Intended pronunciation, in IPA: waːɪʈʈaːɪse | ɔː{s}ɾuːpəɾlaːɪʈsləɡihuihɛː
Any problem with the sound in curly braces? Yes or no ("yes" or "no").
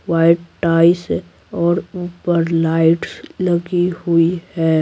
yes